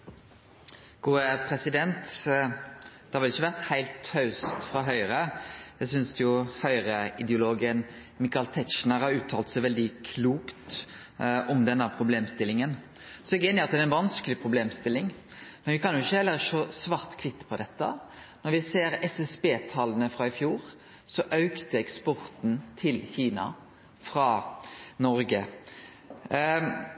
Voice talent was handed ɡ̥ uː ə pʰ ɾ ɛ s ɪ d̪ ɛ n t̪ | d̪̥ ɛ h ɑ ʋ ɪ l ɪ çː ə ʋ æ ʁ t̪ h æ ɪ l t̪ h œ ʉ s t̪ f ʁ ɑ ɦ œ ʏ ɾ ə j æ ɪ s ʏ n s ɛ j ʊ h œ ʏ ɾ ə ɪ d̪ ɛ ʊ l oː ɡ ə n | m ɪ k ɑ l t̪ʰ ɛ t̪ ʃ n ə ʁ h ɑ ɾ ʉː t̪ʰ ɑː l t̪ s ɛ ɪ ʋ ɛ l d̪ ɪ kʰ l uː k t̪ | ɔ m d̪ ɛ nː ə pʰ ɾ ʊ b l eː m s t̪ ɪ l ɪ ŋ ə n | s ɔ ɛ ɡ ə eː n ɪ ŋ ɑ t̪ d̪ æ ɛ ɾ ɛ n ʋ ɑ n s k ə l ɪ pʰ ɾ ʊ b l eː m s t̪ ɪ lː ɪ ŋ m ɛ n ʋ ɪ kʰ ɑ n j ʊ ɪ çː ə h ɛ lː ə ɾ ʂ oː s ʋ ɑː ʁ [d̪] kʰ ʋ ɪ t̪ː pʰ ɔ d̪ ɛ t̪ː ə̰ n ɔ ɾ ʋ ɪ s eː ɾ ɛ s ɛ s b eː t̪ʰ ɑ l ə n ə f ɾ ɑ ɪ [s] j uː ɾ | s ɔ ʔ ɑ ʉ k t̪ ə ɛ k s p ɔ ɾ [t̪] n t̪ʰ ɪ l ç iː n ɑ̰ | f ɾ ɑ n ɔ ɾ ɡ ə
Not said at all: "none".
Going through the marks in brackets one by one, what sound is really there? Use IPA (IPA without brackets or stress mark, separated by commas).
t̪, f, t̪